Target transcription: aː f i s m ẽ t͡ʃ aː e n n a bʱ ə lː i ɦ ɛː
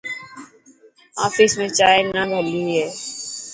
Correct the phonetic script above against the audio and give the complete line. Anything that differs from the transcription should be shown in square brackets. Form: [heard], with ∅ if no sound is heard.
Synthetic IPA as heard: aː f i s m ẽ t͡ʃ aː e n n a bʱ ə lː i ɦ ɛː